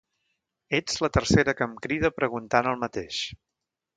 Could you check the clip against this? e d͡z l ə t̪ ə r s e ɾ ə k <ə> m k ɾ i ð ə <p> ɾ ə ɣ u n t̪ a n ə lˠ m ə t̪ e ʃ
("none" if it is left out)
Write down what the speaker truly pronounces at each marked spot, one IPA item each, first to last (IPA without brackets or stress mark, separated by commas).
ə, p